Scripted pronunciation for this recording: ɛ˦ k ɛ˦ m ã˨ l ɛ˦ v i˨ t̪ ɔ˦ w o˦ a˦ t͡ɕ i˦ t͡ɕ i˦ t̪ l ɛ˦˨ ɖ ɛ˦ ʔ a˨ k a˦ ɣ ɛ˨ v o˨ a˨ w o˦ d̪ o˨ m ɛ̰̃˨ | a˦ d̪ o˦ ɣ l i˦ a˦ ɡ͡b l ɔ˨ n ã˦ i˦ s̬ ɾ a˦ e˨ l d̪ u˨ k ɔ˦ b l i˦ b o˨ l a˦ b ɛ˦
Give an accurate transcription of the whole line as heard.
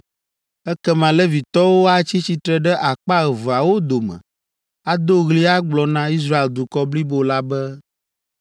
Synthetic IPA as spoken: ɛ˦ k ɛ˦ m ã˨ l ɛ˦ v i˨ t̪ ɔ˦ w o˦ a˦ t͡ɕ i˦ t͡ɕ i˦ t̪ ɾ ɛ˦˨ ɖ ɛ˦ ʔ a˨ k͡p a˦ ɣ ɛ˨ v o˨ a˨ w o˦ d̪ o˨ m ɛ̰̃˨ | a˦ d̪ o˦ ɣ l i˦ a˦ ɡ͡b l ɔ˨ n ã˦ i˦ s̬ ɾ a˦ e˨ l d̪ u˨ k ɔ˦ b l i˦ b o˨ l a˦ b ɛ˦